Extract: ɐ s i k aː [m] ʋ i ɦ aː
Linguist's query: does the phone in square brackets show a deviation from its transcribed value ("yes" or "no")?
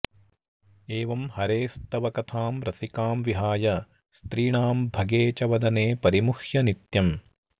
no